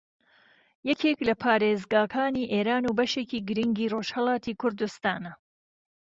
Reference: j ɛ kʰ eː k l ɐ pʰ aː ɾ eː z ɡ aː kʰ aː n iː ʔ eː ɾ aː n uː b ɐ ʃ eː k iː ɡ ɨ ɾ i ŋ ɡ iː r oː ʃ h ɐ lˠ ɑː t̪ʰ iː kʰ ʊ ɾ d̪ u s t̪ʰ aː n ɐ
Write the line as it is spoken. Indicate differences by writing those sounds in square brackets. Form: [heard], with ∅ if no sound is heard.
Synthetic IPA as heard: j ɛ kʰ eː k l ɐ pʰ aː ɾ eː z ɡ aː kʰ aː n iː ʔ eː ɾ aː n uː b ɐ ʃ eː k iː ɡ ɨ ɾ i ŋ ɡ iː r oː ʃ h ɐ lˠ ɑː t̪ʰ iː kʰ ʊ ɾ d̪ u s [t̪] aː n ɐ